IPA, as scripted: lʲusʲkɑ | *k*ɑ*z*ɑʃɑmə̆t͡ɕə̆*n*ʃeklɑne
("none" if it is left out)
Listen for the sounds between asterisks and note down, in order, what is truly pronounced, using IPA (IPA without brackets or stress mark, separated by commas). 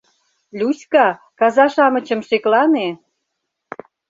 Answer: k, z, m